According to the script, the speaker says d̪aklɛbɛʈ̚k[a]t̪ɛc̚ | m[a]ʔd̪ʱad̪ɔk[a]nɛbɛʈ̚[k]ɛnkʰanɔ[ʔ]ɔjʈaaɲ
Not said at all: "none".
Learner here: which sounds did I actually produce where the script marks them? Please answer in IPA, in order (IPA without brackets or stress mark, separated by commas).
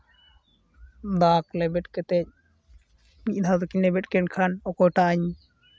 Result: ɛ, i, i, k, k